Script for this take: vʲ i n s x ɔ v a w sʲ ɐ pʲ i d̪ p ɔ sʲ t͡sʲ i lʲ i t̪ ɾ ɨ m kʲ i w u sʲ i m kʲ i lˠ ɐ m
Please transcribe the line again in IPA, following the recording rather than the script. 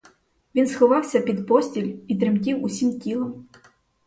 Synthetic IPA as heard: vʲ i n s x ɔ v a w sʲ ɐ pʲ i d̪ p ɔ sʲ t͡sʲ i lʲ i t̪ ɾ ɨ m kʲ i w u sʲ i m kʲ i lˠ ɐ m